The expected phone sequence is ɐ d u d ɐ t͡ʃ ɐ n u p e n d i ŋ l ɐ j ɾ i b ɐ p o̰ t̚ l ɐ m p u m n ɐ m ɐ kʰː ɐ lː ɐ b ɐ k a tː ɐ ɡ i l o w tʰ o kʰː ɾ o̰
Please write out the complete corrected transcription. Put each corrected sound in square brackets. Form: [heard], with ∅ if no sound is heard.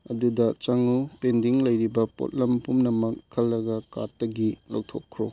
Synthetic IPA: ɐ d u d ɐ t͡ʃ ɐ [ŋ] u p e n d i ŋ l ɐ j ɾ i b ɐ p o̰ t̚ l ɐ m p u m n ɐ m ɐ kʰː ɐ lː ɐ [ɡ] ɐ k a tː ɐ ɡ i l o w tʰ o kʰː ɾ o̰